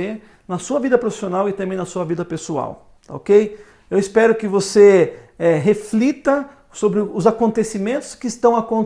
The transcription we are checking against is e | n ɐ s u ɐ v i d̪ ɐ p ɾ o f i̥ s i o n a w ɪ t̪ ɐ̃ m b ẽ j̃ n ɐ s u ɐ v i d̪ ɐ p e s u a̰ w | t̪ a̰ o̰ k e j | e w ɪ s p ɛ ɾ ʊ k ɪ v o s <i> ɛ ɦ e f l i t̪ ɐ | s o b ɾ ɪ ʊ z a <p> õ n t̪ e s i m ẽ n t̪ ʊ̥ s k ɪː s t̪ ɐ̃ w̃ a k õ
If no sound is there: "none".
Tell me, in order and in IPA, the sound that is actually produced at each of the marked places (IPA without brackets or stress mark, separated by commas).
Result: e, k